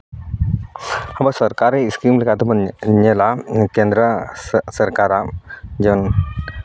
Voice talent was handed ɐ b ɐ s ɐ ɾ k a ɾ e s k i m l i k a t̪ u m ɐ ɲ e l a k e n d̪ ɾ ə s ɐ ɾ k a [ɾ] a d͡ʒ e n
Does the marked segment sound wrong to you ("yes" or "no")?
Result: no